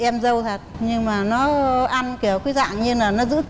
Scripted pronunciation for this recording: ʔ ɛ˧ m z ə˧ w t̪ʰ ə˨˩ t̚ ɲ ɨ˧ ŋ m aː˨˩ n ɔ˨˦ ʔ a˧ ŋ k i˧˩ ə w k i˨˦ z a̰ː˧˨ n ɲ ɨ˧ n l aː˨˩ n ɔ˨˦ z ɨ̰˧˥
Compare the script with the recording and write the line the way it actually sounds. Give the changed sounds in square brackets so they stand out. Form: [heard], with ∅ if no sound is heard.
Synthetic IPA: ʔ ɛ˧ m z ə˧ w t̪ʰ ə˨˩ t̚ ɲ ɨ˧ ŋ m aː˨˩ n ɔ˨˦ ʔ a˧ [n] k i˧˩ ə w k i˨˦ z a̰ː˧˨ [ŋ] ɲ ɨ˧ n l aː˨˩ n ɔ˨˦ z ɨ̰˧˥